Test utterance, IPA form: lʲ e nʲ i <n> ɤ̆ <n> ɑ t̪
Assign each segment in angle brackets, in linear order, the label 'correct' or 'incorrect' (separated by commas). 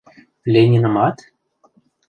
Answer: correct, incorrect